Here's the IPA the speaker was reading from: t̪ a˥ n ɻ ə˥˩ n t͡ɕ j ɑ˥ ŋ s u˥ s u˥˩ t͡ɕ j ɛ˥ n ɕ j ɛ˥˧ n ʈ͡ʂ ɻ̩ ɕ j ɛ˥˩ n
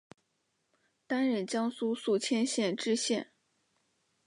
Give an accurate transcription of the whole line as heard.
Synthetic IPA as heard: t̪ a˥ n ɻ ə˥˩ n t͡ɕ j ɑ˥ ŋ s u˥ s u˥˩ t͡ɕʰ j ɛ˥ n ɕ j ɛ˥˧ n ʈ͡ʂ ɻ̩ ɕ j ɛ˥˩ n